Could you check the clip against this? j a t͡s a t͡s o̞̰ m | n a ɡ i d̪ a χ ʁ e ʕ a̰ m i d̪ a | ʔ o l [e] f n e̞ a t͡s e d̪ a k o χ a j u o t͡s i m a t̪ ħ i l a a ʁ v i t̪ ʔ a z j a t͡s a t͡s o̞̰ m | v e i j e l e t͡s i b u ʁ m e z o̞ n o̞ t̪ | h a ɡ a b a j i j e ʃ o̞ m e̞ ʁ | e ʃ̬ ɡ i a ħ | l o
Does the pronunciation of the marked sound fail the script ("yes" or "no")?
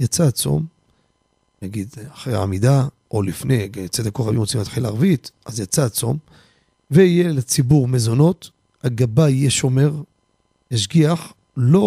yes